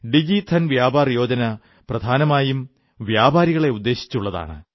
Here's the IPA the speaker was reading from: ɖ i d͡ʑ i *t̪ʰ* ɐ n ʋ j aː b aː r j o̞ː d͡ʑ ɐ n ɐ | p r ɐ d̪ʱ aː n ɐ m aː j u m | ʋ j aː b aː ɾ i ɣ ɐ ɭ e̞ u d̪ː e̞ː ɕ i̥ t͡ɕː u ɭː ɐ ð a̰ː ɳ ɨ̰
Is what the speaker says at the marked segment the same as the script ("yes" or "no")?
yes